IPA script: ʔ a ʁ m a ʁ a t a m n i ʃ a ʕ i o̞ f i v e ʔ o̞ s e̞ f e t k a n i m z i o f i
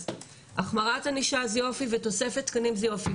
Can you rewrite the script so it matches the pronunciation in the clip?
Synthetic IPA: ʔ a χ m a ʁ a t a n i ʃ a z i o̞ f i v e t o̞ s e̞ f e t k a n i m z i o f i

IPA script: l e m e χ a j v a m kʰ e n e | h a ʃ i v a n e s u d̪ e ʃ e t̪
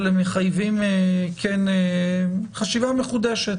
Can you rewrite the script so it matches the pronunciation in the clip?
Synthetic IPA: l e m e χ a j v i m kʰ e n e | χ a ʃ i v a m e χ u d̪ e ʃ e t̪

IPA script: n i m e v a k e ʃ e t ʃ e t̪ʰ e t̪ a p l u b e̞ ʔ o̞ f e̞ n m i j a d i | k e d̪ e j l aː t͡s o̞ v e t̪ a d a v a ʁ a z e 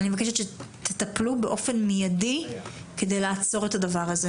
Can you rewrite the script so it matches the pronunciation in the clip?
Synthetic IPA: n i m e v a k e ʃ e t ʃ e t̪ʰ e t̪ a p l u b e̞ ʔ o̞ f e̞ n m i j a d i | k e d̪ e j l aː t͡s o̞ ʁ e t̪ a d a v a ʁ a z e

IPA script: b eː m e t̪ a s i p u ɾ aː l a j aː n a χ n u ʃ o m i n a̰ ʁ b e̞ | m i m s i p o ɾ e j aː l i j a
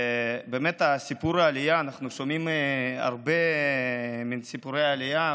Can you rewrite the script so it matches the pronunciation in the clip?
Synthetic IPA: b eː m e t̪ a s i p u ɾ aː l i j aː n a χ n u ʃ o m i m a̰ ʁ b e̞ | m i n s i p u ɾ e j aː l i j a

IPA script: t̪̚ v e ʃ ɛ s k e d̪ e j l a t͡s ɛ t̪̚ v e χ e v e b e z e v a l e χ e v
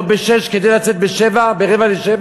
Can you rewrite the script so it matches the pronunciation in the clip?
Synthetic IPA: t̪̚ b e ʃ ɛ ʃ k e d̪ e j l a t͡s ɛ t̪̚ b e ʃ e v a b e ʁ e v a l e ʃ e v

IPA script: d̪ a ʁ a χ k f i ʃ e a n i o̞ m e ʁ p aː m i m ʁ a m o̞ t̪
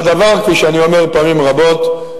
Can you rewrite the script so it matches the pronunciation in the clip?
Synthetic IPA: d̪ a v a ʁ k f i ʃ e a n i o̞ m e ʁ p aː m i m ʁ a b o̞ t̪

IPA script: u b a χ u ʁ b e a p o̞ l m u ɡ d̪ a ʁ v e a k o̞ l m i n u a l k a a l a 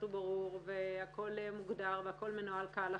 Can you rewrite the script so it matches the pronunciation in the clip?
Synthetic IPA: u b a ʁ u ʁ v e a k o̞ l m u ɡ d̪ a ʁ v e a k o̞ l m e n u a l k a a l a

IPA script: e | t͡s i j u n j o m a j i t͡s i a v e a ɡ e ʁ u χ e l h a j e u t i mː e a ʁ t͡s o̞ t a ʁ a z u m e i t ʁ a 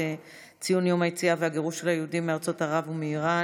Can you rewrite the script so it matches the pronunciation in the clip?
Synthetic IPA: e | t͡s i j u n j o m a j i t͡s i a v e a ɡ e ʁ u ʃ e l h a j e u d i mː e a ʁ t͡s o̞ t a ʁ a v u m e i ʁ a

